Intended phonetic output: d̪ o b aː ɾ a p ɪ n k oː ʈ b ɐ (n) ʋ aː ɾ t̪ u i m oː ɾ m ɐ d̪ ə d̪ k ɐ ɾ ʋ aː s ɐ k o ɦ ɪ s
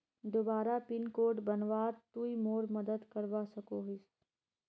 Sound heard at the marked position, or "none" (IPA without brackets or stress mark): n